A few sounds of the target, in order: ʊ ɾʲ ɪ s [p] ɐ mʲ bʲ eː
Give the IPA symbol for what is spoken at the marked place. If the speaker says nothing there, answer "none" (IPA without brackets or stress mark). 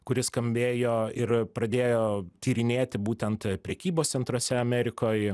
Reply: k